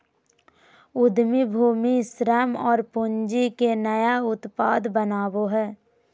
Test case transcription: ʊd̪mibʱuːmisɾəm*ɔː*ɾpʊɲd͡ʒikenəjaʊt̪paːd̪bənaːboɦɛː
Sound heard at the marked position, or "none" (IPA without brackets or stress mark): ɔː